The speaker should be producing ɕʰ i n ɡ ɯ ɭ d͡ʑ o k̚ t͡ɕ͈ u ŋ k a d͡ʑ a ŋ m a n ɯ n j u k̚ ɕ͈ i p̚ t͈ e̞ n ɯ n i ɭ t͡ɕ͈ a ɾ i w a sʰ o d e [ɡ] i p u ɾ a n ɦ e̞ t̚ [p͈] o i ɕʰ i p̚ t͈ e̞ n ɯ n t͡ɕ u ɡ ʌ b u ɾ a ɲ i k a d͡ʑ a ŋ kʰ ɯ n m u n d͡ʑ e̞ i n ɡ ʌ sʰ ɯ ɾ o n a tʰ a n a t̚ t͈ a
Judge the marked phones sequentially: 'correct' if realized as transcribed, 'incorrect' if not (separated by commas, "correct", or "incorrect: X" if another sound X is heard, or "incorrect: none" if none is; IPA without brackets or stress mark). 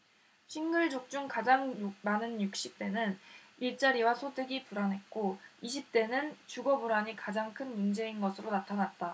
correct, incorrect: k͈